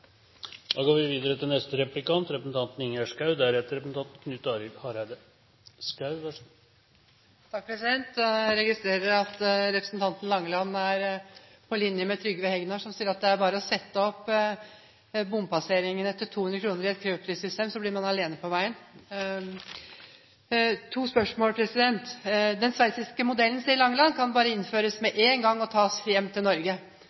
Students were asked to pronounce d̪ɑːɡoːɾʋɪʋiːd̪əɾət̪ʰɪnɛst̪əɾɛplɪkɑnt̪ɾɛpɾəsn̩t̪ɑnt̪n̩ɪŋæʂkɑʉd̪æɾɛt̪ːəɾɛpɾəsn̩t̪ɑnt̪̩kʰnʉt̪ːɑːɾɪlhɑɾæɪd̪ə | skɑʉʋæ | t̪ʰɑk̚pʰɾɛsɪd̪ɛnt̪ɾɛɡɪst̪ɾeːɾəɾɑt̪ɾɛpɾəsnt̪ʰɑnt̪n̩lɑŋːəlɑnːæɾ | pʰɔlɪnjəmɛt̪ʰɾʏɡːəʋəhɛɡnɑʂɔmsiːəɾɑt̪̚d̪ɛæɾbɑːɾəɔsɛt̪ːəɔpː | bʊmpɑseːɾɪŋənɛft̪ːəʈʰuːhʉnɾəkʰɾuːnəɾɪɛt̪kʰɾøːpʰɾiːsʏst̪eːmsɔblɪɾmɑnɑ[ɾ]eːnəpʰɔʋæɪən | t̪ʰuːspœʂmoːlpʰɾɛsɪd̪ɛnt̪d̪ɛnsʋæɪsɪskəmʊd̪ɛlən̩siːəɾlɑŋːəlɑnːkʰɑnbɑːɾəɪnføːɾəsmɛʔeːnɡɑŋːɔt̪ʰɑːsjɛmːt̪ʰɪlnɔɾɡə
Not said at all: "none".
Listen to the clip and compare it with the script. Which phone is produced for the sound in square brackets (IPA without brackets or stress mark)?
l